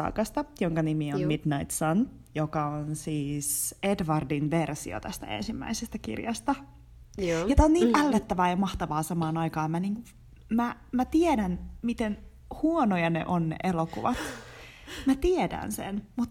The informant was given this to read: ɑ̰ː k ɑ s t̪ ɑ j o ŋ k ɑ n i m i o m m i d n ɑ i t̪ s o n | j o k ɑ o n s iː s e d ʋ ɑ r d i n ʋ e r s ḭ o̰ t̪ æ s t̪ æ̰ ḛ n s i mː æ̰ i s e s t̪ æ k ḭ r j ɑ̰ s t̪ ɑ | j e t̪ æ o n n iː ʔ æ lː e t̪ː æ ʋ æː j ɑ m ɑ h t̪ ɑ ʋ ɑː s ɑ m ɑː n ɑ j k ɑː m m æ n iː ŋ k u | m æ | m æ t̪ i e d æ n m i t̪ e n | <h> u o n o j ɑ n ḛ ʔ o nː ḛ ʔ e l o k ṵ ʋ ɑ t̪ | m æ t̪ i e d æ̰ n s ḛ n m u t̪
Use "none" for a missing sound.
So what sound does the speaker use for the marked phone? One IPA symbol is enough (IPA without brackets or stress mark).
h